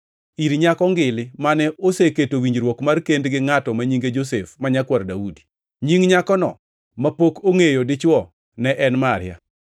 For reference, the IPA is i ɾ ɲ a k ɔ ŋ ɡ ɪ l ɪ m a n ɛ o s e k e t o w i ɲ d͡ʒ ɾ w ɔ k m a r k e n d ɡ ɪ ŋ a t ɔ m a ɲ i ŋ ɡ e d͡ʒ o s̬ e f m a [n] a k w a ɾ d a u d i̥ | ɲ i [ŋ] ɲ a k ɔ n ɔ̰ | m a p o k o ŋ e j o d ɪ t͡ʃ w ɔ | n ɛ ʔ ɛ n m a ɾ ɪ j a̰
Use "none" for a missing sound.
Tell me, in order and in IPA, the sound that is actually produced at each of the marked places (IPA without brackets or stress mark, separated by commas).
ɲ, ŋ